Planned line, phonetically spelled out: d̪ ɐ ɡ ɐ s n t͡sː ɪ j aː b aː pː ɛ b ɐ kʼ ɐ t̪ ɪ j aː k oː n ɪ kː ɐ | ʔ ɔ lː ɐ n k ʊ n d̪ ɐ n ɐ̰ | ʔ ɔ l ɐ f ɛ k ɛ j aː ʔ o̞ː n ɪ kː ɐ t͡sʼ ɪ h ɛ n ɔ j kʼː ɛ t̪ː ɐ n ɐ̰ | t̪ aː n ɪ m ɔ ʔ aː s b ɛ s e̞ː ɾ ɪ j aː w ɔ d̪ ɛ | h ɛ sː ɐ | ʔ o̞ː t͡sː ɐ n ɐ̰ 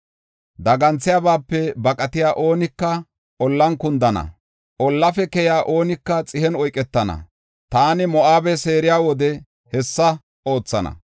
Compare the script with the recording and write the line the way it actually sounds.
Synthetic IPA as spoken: d̪ ɐ ɡ ɐ n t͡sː ɪ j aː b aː pː ɛ b ɐ kʼ ɐ t̪ ɪ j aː ʔ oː n ɪ kː ɐ | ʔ ɔ lː ɐ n k ʊ n d̪ ɐ n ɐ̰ | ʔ ɔ lː ɐ f ɛ k ɛ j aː ʔ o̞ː n ɪ kː ɐ t͡sʼ ɪ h ɛ n ɔ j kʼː ɛ t̪ː ɐ n ɐ̰ | t̪ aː n ɪ m ɔ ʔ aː b ɛ s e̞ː ɾ ɪ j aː w ɔ d̪ ɛ | h ɛ sː ɐ | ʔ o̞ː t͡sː ɐ n ɐ̰